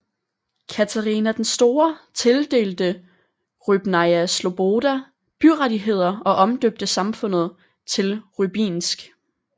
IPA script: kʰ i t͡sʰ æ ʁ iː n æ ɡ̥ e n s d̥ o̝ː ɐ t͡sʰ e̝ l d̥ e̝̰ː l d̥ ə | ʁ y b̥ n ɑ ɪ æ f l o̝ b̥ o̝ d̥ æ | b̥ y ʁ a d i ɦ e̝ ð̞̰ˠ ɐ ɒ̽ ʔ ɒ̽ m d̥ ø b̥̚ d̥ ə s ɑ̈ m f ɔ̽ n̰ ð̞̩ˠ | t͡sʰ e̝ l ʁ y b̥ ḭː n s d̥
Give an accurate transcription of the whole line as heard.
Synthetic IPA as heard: kʰ æ t͡sʰ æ ʁ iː n æ d̥ e n s d̥ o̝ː ɐ t͡sʰ e̝ l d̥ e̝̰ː l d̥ ə | ʁ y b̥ n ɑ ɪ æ s l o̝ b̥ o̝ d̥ æ | b̥ y ʁ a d i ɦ e̝ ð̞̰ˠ ɐ ɒ̽ ʔ ɒ̽ m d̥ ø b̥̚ d̥ ə s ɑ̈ m f ɔ̽ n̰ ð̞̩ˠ | t͡sʰ e̝ l ʁ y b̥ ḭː n s ɡ̥